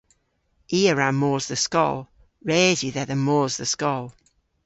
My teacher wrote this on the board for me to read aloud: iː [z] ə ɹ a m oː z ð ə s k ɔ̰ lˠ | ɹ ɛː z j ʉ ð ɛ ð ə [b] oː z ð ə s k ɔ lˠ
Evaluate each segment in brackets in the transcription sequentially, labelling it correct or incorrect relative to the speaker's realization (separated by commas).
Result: incorrect, incorrect